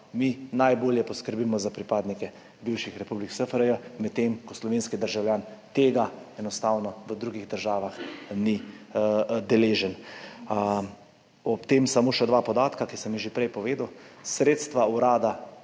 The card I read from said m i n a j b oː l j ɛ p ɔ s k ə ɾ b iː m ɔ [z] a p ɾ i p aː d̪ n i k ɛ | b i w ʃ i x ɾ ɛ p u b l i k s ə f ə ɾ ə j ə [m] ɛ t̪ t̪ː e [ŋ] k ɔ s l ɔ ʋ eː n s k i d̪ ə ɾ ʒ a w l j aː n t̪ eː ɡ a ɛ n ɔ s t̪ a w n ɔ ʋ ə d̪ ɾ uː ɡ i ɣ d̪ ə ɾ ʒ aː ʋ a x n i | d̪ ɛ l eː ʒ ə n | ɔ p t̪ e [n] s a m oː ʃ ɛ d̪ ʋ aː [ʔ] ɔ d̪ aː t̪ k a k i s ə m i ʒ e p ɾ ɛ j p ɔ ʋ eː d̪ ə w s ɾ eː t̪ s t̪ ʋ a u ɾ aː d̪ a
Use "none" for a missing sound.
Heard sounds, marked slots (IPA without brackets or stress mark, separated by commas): z, m, m, m, p